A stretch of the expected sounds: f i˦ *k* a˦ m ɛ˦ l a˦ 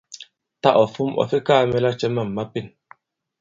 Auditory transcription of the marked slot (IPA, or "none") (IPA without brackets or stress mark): k